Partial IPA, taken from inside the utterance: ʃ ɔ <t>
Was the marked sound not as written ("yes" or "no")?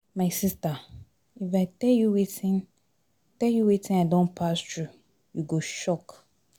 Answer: yes